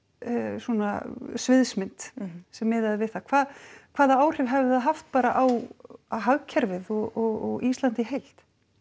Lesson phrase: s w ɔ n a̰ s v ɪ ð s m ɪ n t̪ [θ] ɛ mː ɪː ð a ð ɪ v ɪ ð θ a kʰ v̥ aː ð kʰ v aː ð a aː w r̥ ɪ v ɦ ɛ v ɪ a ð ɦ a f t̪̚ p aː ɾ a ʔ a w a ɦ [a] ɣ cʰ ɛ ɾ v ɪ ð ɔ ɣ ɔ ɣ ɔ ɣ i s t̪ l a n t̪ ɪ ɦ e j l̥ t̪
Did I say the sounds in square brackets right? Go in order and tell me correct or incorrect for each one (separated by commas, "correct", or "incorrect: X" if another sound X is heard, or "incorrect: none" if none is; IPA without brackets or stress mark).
incorrect: s, correct